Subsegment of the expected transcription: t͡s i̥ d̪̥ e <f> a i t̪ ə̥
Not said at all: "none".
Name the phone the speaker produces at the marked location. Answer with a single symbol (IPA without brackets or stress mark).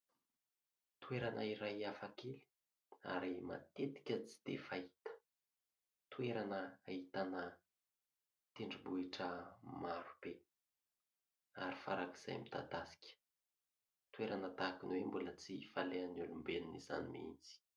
f